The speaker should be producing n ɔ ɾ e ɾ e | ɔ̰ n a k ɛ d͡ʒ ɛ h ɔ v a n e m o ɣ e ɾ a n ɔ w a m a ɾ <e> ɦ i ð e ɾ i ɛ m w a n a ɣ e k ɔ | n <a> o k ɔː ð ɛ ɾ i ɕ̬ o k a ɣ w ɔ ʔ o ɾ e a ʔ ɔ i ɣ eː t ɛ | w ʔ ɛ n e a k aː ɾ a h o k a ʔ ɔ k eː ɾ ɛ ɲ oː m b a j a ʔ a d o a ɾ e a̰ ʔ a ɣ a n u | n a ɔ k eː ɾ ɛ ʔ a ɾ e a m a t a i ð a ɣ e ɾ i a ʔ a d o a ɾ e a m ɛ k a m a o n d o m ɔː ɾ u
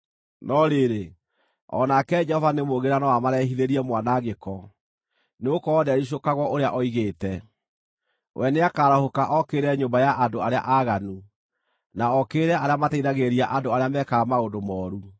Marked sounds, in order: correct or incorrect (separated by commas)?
incorrect, incorrect